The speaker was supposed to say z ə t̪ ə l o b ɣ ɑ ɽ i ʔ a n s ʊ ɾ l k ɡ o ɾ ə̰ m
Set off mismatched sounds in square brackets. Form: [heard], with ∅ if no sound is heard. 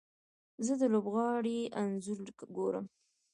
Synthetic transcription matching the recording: z ə [d̪] ə l o b ɣ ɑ ɽ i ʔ a n [z] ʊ ɾ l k ɡ o ɾ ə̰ m